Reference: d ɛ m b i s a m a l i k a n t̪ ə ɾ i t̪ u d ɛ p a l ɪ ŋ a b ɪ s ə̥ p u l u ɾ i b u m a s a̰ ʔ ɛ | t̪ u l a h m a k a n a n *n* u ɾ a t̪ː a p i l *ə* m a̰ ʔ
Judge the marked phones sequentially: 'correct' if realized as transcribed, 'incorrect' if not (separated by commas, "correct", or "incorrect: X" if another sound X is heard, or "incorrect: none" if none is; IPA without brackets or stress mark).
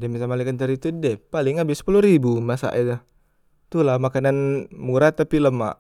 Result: incorrect: m, correct